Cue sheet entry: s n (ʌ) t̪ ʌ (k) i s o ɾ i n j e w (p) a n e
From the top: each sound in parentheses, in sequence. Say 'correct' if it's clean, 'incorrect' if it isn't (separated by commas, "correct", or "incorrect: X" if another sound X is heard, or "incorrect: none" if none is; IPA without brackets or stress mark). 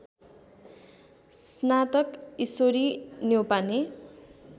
incorrect: a, correct, correct